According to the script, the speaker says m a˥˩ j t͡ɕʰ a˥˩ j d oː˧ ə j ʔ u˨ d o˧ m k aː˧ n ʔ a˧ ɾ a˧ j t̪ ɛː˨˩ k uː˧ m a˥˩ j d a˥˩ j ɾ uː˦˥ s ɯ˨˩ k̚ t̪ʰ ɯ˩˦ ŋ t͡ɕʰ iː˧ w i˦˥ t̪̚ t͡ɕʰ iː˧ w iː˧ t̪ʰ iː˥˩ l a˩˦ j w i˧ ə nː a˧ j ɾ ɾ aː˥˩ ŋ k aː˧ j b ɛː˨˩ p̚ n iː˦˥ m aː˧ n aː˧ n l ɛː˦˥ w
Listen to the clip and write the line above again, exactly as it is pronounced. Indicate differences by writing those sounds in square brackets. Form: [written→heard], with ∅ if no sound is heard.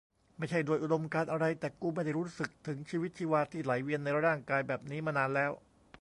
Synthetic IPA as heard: m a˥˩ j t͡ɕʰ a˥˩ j d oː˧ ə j ʔ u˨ d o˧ m k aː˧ n ʔ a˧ ɾ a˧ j t̪ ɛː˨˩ k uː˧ m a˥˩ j d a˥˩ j ɾ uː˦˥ s ɯ˨˩ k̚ t̪ʰ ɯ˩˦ ŋ t͡ɕʰ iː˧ w i˦˥ t̪̚ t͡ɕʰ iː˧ w [iː˧→aː˧] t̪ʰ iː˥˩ l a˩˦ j w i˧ ə nː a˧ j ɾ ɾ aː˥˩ ŋ k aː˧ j b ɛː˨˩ p̚ n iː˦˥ m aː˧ n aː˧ n l ɛː˦˥ w

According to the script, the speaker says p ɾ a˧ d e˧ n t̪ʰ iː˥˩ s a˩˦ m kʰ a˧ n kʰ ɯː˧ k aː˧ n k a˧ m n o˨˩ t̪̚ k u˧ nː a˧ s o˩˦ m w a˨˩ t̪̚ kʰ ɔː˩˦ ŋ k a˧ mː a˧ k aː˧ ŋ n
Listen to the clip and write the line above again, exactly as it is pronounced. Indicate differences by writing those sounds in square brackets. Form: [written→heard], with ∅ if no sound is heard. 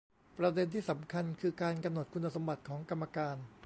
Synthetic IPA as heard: p ɾ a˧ d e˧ n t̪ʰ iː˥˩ s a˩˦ m kʰ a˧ n kʰ ɯː˧ k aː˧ n k a˧ m n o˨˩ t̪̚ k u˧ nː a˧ s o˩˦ m [w→b] a˨˩ t̪̚ kʰ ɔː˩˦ ŋ k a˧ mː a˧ k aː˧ [ŋ→∅] n

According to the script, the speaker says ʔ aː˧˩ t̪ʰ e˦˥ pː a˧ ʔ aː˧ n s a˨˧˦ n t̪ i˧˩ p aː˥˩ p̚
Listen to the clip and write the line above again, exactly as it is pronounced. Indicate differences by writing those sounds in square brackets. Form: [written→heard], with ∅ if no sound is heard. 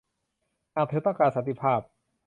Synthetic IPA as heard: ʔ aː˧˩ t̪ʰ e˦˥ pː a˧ [ʔ→k] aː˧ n s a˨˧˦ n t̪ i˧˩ [p→pʰ] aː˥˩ p̚

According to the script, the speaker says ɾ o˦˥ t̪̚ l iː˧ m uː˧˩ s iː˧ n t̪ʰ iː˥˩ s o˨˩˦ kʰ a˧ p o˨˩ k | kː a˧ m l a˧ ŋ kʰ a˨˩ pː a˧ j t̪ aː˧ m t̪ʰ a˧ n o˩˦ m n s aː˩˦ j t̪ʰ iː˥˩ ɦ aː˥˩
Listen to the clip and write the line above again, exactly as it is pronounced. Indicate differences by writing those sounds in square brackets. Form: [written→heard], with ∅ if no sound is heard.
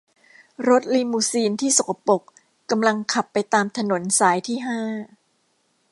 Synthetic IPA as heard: ɾ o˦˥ t̪̚ l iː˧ m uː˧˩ s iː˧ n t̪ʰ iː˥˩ s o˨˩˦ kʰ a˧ p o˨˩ k | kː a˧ m l a˧ ŋ kʰ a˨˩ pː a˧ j t̪ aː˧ m t̪ʰ a˧ n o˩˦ [m→∅] n s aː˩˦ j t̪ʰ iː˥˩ ɦ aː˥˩

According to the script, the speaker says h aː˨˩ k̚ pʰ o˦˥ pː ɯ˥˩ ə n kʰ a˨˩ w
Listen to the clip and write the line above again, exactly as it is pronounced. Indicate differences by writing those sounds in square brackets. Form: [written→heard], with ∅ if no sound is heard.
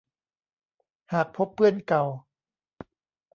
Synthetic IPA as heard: h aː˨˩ k̚ pʰ o˦˥ pː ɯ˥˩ ə n [kʰ→k] a˨˩ w

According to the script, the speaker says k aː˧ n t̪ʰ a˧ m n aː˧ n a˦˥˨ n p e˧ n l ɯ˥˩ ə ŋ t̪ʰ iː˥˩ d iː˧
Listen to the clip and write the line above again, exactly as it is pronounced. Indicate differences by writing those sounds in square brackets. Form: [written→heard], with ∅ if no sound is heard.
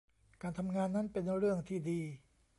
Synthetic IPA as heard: k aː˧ n t̪ʰ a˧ m [n→ŋ] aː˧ [n→nː] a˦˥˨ n p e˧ n [l→ɾ] ɯ˥˩ ə ŋ t̪ʰ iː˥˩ d iː˧

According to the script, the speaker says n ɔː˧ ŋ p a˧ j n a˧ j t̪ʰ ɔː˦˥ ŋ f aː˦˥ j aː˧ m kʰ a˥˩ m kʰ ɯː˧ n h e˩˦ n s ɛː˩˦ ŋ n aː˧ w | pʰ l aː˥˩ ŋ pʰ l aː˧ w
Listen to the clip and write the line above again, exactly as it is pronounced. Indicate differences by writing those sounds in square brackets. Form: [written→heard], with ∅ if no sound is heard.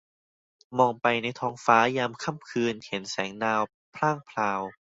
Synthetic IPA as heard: [n→m] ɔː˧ ŋ p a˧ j n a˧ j t̪ʰ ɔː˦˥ ŋ f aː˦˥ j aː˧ m kʰ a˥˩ m kʰ ɯː˧ n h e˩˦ n s ɛː˩˦ ŋ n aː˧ w | pʰ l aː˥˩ ŋ pʰ l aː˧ w

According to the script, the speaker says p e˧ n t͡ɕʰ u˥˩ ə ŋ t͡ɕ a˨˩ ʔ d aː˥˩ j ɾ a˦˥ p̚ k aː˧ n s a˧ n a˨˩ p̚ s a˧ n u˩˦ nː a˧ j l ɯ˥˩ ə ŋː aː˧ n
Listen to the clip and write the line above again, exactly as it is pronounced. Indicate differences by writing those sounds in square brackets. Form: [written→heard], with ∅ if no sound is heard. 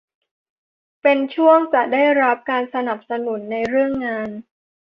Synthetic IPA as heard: p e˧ n t͡ɕʰ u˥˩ ə ŋ t͡ɕ a˨˩ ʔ d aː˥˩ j ɾ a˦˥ p̚ k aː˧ n s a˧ n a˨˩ p̚ s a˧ n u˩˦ nː a˧ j [l→ɾ] ɯ˥˩ ə ŋː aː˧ n

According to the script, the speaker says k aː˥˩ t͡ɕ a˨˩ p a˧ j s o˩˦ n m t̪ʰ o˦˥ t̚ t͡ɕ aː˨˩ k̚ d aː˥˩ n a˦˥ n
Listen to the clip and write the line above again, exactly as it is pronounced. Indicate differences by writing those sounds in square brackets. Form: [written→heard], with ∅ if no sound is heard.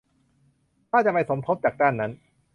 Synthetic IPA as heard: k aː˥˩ t͡ɕ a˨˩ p a˧ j s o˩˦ [n→∅] m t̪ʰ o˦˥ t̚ t͡ɕ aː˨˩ k̚ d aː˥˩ [n→nː] a˦˥ n

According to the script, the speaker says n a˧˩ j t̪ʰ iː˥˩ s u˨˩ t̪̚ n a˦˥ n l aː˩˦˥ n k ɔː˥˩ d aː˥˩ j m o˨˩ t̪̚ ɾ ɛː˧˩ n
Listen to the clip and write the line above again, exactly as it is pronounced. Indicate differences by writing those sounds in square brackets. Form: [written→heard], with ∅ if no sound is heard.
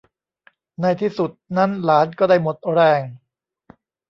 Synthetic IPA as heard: n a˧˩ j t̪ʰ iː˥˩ s u˨˩ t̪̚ n a˦˥ n l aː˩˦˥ n k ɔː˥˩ d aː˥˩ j m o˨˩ t̪̚ ɾ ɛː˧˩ [n→ŋ]

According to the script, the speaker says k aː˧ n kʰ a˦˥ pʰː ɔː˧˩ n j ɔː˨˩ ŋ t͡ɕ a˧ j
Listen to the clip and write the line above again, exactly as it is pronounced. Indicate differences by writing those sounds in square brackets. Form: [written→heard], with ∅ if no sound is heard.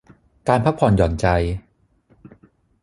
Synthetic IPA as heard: k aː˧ n [kʰ→pʰ] a˦˥ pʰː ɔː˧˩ n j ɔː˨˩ [ŋ→n] t͡ɕ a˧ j

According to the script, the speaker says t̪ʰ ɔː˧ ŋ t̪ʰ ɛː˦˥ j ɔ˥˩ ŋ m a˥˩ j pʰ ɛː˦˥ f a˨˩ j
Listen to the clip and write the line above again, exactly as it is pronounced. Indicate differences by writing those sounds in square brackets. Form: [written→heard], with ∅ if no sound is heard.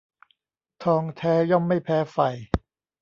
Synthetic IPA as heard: t̪ʰ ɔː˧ ŋ t̪ʰ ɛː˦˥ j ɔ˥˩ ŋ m a˥˩ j pʰ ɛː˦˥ f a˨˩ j

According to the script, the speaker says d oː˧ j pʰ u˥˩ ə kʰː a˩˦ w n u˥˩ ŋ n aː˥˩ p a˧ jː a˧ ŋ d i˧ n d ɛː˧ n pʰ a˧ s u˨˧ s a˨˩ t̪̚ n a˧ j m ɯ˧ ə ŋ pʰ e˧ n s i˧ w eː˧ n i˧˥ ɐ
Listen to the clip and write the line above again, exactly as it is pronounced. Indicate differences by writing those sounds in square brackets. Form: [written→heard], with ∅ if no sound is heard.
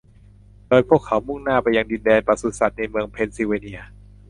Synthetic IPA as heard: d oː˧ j pʰ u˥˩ ə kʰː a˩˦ w [n→m] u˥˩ ŋ n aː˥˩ p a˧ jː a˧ ŋ d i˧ n d ɛː˧ n [pʰ→p] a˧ s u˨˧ s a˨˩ t̪̚ n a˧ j m ɯ˧ ə ŋ pʰ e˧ n s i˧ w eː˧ n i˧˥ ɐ

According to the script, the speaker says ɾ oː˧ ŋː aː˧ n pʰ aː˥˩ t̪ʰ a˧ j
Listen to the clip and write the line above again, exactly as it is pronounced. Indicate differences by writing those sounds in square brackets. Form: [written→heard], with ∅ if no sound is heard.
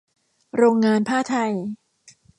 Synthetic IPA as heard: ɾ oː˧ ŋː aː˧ n pʰ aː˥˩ t̪ʰ a˧ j

